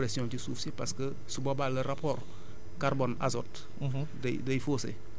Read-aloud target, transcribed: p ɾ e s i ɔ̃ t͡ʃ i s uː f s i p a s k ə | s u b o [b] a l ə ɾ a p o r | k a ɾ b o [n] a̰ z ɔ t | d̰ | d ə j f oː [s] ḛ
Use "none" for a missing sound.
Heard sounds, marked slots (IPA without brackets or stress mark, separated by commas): b, n, s